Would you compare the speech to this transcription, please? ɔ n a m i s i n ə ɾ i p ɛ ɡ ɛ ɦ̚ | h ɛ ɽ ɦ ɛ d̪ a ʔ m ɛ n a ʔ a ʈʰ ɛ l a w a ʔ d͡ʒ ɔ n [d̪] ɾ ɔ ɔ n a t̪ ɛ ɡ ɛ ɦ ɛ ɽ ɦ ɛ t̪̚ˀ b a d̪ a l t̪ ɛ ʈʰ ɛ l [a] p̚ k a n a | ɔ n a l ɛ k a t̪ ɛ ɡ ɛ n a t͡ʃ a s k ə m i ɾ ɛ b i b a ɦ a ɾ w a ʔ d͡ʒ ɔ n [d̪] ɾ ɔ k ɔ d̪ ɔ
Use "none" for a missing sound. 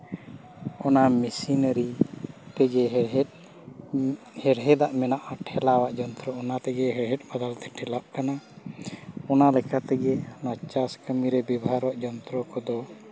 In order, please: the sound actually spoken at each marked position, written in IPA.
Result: t̪, a, t̪

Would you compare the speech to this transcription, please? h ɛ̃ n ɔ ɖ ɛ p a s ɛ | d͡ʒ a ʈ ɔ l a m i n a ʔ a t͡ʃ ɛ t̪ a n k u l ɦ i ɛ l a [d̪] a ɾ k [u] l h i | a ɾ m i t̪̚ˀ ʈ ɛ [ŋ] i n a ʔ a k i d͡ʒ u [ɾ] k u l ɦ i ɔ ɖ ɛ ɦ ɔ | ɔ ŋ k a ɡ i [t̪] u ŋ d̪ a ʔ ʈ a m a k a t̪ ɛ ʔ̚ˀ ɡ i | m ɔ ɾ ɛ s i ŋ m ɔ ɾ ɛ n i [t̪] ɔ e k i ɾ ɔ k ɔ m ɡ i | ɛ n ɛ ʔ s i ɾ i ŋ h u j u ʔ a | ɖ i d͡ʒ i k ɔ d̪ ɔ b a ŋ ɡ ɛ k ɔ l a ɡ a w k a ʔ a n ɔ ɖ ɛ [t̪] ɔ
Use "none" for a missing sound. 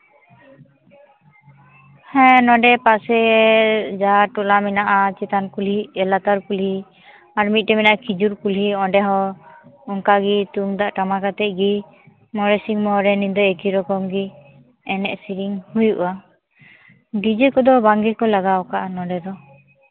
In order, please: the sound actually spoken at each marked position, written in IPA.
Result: t̪, u, m, ɾ, t̪, d̪, d̪

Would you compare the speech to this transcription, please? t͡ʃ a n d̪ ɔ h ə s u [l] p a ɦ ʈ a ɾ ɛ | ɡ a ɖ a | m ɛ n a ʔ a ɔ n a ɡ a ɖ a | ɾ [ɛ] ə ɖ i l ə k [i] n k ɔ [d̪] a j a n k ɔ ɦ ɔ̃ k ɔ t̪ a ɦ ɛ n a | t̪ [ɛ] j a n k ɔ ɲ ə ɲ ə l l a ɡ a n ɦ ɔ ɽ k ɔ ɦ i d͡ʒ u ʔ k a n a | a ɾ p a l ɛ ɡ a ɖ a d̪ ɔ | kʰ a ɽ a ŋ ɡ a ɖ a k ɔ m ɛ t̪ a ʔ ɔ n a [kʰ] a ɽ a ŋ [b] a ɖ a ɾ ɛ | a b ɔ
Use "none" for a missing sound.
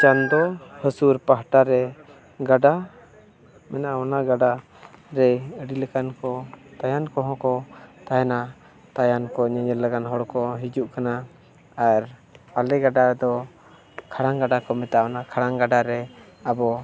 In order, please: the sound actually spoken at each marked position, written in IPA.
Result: ɾ, ɛ, a, t̪, a, kʰ, ɡ

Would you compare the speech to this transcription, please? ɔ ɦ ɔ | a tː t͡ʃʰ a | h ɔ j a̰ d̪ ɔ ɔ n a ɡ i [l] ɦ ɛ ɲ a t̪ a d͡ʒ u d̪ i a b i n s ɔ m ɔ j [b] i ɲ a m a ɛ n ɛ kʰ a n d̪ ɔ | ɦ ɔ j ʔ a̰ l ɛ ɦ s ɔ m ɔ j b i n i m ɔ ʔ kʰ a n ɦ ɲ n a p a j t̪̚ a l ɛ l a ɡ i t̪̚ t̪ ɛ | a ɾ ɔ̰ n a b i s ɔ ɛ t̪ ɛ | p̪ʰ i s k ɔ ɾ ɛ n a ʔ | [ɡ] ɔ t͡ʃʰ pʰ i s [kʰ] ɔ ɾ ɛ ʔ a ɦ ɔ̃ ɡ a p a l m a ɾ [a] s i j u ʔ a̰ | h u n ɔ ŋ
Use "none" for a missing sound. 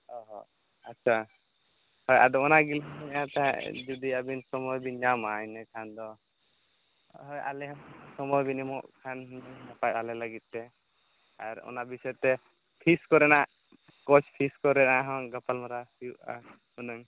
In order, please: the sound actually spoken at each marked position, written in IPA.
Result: l, b, k, k, a

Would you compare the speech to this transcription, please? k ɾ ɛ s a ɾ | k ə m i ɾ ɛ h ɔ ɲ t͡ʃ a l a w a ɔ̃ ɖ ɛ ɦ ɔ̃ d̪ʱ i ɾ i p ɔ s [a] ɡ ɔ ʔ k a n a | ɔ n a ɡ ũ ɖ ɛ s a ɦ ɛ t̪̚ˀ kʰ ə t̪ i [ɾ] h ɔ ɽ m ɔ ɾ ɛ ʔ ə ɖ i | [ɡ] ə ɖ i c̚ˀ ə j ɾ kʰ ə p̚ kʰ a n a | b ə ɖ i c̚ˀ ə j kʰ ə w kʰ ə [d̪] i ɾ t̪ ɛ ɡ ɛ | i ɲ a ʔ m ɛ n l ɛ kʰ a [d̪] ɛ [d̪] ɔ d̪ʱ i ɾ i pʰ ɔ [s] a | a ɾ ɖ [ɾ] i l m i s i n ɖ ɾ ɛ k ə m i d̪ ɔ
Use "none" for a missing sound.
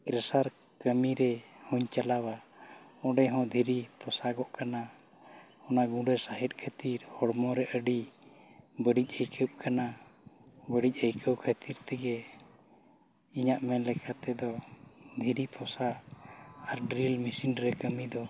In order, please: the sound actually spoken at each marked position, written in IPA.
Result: a, ɾ, b, t̪, t̪, d̪, s, ɾ

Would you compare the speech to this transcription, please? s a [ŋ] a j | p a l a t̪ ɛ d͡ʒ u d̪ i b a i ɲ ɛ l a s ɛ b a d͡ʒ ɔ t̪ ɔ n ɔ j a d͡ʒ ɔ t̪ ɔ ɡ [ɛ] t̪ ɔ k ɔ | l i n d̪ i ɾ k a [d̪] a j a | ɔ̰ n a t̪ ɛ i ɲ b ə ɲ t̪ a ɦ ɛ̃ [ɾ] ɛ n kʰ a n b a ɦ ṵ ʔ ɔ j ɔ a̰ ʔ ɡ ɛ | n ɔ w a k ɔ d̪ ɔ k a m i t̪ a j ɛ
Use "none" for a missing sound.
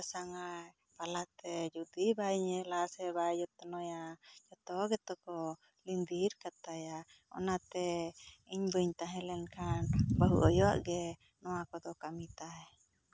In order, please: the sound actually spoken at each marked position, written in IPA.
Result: ŋ, ɛ, t̪, l

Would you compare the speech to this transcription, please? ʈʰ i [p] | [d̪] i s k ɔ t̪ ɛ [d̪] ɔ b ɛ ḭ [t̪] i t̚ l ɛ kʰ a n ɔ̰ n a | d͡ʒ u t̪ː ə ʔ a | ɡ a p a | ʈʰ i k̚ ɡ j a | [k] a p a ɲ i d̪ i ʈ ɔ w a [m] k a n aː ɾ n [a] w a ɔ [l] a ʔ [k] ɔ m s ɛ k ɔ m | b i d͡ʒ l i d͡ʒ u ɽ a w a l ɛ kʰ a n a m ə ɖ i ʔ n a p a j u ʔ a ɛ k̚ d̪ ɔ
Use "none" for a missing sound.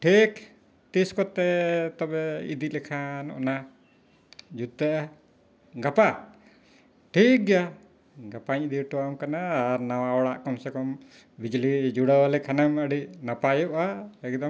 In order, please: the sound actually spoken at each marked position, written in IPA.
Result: k, t̪, t̪, d̪, ɡ, m, a, ɽ, k

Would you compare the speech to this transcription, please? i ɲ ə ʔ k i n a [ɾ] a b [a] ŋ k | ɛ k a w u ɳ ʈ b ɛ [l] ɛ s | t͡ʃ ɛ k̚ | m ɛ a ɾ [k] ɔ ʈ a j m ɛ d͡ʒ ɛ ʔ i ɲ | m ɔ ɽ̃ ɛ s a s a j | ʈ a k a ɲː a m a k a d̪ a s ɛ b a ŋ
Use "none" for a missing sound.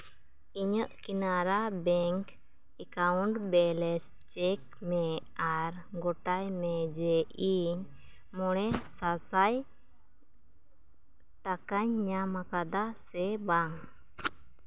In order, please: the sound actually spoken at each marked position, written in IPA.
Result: ɾ, ɛ, l, ɡ

